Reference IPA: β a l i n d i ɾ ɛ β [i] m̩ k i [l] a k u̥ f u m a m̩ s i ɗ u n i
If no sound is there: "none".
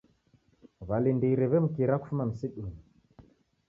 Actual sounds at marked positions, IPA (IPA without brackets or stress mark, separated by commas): ɛ, ɾ